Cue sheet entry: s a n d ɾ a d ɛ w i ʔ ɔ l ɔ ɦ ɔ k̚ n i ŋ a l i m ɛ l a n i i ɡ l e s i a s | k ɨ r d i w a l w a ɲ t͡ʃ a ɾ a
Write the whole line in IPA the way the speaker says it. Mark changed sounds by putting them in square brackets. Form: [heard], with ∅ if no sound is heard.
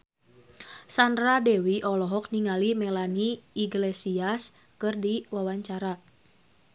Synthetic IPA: s a n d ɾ a d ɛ w i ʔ ɔ l ɔ ɦ ɔ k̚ n i ŋ a l i m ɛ l a n i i ɡ l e s i a s | k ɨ r d i w a [∅] w a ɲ t͡ʃ a ɾ a